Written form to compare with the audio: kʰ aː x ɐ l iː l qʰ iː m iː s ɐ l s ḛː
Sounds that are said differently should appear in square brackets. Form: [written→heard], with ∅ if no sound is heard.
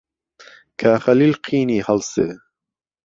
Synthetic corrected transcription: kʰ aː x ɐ l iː l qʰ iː [m→n] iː [s→h] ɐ l s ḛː